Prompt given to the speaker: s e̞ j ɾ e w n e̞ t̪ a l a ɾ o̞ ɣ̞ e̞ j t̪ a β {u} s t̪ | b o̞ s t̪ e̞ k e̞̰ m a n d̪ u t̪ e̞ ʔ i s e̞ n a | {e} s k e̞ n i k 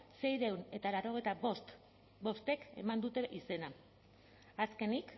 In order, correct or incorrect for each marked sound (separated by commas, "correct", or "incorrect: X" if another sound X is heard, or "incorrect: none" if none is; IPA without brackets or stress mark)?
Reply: incorrect: o, incorrect: a